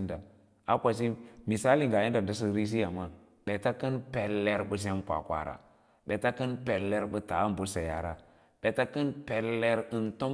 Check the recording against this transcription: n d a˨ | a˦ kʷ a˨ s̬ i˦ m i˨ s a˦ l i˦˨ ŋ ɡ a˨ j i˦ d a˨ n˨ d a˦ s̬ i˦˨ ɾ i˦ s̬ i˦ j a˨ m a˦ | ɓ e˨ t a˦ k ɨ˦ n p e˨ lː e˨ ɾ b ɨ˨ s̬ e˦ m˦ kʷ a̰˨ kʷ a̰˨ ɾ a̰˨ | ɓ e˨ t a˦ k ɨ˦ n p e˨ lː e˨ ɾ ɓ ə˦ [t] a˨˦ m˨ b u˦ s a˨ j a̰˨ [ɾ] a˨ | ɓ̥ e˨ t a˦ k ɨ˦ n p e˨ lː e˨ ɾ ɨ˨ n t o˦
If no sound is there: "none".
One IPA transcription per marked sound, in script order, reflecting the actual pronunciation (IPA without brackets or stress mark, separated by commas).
t, ɾ